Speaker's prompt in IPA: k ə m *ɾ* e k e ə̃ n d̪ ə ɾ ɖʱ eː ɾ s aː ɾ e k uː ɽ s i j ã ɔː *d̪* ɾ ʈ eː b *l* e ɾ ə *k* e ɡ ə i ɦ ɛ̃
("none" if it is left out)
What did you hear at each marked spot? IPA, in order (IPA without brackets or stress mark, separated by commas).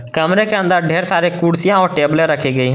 ɾ, none, l, kʰ